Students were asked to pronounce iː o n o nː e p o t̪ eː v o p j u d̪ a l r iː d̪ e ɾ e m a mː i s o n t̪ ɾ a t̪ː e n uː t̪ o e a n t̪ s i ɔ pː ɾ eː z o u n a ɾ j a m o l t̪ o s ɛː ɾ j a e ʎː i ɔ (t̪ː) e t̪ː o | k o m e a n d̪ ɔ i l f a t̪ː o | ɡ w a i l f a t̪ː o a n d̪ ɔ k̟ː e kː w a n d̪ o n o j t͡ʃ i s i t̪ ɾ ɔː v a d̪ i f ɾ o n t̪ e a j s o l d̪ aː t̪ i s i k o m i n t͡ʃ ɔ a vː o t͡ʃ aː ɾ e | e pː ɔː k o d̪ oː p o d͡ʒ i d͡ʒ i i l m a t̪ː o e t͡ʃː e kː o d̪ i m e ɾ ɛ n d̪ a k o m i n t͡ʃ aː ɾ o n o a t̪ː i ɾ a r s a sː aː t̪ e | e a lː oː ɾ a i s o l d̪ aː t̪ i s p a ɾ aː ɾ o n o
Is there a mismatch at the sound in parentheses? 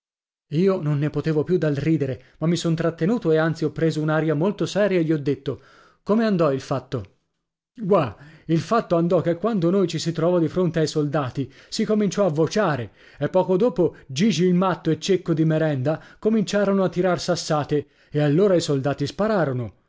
yes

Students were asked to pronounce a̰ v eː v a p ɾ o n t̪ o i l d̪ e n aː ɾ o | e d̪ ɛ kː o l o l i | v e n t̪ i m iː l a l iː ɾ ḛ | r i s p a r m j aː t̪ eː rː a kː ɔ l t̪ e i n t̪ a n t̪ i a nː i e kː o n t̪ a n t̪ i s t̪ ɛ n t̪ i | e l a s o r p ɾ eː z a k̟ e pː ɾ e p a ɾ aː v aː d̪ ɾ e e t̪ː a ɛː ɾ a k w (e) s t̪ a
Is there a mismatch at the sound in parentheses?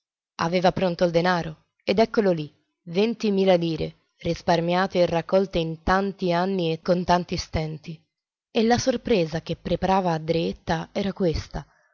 no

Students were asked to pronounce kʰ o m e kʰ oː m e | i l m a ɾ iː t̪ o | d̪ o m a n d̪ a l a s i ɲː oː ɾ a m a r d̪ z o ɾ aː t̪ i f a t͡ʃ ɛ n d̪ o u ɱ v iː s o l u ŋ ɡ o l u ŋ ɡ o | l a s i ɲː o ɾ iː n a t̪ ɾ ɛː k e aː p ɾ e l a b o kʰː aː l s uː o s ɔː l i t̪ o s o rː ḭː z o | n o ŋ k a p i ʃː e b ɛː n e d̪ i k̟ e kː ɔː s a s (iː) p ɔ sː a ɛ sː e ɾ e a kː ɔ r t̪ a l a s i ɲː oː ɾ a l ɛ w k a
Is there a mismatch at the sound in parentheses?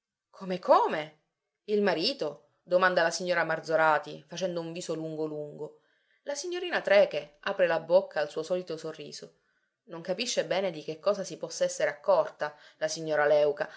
yes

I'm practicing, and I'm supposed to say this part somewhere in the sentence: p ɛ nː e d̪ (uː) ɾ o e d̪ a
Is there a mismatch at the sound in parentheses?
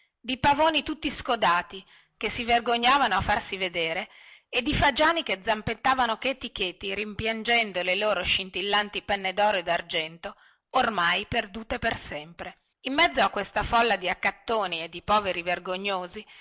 yes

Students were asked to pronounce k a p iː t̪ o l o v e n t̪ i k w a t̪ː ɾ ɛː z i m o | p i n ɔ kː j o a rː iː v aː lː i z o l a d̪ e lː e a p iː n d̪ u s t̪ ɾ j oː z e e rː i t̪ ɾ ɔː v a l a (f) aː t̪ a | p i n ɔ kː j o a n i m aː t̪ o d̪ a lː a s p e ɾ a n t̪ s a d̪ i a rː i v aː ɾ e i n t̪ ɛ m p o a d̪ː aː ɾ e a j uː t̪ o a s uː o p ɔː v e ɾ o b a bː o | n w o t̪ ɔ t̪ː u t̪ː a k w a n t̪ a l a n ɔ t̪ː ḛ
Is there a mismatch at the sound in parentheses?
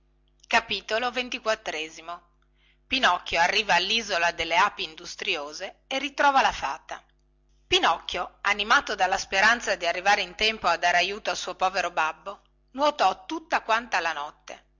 no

